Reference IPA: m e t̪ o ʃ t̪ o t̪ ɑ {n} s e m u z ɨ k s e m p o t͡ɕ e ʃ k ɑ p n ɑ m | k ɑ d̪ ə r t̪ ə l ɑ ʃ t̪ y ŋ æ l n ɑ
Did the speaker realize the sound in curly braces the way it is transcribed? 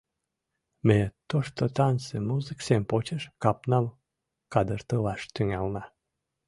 yes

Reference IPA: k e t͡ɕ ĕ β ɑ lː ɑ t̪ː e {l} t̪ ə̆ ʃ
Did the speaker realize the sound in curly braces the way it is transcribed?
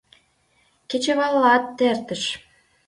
no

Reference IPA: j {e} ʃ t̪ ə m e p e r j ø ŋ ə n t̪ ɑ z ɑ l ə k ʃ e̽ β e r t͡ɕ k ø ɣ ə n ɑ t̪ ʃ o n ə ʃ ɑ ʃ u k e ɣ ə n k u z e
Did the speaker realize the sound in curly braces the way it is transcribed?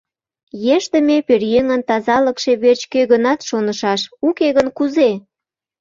yes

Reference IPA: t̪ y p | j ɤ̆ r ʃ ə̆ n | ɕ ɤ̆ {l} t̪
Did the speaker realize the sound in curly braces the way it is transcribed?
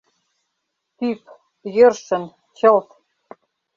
yes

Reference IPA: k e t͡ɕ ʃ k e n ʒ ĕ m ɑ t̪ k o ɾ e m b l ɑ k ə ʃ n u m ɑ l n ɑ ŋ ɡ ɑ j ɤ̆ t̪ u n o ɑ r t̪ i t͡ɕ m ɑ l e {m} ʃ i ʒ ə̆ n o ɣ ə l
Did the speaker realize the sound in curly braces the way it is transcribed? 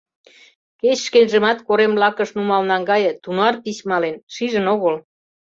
no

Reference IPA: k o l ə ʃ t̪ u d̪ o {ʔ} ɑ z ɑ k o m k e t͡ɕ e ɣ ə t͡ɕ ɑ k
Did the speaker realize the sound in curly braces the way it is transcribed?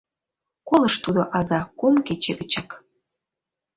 yes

